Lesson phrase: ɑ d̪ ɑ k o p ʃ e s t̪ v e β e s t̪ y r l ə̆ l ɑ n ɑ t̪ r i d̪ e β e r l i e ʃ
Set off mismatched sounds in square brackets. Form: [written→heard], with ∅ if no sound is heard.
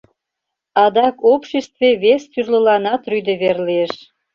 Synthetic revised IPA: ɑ d̪ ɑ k o p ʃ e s t̪ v e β e s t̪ y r l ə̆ l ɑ n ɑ t̪ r [i→y] d̪ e β e r l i e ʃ